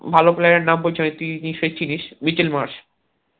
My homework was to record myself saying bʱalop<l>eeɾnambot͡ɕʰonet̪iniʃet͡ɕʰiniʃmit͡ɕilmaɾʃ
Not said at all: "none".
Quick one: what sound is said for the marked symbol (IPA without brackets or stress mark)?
l